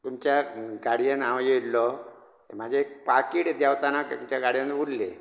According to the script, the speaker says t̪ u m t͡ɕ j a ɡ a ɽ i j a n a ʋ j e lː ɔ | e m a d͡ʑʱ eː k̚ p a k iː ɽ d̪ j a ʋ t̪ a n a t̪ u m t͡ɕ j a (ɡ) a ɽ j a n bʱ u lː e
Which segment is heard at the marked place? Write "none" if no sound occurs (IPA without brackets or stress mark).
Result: ɡ